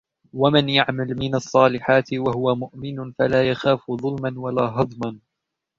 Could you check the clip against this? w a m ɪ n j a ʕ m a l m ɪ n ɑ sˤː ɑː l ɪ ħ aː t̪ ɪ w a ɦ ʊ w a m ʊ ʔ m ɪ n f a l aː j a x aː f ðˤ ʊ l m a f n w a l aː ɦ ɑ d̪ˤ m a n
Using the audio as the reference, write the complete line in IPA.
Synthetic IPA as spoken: w a m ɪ n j a ʕ m a l m ɪ n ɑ sˤː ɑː l ɪ ħ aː t̪ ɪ w a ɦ ʊ w a m ʊ ʔ m ɪ n f a l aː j a x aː f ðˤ ʊ l m a n w a l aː ɦ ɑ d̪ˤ m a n

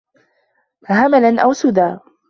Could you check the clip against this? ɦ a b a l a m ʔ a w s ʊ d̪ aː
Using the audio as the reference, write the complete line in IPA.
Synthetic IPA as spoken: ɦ a m a l a n ʔ a w s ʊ d̪ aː

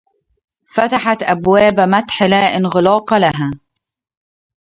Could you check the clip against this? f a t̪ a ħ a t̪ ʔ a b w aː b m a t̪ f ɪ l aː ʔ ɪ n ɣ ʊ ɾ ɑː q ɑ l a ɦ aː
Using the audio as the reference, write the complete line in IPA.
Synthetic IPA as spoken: f a t̪ a ħ a t̪ ʔ a b w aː b m a t̪ ħ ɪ l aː ʔ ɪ n ɣ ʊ l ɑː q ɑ l a ɦ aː

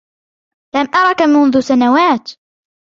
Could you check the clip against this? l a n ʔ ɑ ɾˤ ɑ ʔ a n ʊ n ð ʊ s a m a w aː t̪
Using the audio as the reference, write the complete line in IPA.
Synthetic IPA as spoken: l a m ʔ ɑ ɾˤ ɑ k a m ʊ n ð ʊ s a n a w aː t̪

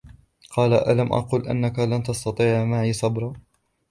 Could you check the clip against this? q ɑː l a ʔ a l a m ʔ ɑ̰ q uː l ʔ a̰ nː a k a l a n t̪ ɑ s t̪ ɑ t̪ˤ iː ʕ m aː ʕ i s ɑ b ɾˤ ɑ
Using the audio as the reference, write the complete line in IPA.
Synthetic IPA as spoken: q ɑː l a ʔ a l a m ʔ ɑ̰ q uː l ʔ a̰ nː a k a l a n t̪ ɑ s t̪ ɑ t̪ˤ iː ʕ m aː ʕ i s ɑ b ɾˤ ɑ

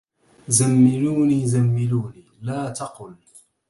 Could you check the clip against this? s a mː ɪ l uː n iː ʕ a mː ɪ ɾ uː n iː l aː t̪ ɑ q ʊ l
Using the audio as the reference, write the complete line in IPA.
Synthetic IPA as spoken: z a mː ɪ l uː n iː z a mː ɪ l uː n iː l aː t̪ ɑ q ʊ l

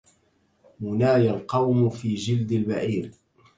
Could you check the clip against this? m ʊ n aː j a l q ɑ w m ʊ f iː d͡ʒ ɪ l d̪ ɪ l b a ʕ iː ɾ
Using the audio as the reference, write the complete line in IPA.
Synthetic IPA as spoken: m ʊ n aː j a l q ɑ w m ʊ f iː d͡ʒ ɪ l d̪ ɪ l b a ʕ iː ɾ

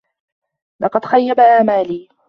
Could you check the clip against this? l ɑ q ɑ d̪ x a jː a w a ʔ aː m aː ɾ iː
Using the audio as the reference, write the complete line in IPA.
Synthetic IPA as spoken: l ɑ q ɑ d̪ x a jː a b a ʔ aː m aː l iː

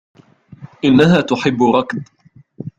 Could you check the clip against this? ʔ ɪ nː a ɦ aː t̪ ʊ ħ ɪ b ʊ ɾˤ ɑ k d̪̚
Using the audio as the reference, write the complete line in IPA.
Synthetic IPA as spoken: ʔ ɪ nː a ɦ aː t̪ ʊ ħ ɪ bː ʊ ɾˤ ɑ k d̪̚

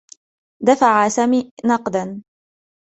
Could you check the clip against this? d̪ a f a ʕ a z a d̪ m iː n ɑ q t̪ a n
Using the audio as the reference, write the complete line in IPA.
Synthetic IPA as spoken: d̪ a f a ʕ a s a m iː n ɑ q d̪ a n

